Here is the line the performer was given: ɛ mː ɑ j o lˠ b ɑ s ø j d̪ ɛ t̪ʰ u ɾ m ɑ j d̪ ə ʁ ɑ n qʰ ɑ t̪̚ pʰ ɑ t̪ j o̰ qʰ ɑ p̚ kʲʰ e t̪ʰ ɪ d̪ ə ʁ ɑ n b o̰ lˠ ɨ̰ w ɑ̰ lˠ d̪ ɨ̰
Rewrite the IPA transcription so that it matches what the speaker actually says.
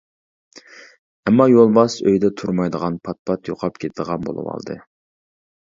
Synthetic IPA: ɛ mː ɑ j o lˠ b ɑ s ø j d̪ ɛ t̪ʰ u ɾ m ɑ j d̪ ə ʁ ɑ n pʰ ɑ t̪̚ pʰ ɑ t̪ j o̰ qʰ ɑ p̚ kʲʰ e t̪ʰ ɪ d̪ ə ʁ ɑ n b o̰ lˠ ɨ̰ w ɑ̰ lˠ d̪ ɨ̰